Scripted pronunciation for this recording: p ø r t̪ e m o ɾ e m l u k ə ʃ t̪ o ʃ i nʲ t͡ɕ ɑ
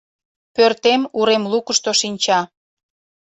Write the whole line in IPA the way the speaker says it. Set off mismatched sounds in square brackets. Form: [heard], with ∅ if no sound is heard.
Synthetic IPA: p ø r t̪ e m [u] ɾ e m l u k ə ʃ t̪ o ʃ i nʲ t͡ɕ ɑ